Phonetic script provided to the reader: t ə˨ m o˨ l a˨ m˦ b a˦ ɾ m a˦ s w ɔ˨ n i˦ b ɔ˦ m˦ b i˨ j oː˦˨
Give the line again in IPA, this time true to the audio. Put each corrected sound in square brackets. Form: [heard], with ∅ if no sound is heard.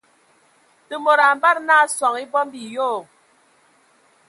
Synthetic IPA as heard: t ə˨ m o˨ [ɾ] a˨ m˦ b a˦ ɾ [n] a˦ s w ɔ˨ [ŋ] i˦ b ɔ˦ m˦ b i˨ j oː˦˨